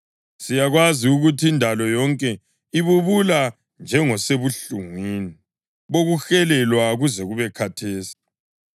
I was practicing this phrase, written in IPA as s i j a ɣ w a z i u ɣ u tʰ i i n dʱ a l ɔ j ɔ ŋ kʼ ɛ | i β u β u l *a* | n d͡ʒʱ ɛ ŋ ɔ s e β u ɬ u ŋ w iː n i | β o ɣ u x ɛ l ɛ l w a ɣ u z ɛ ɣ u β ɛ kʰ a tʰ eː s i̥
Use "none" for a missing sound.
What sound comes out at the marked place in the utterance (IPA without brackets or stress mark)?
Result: a